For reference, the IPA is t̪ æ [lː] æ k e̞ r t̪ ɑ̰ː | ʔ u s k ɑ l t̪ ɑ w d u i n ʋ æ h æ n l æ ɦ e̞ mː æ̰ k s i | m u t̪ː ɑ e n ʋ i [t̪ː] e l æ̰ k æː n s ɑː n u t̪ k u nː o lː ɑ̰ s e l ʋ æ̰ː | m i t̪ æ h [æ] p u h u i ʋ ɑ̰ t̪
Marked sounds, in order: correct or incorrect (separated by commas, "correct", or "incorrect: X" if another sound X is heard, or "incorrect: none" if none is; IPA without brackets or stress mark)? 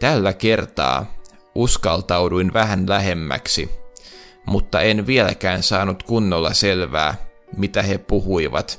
correct, incorrect: none, incorrect: e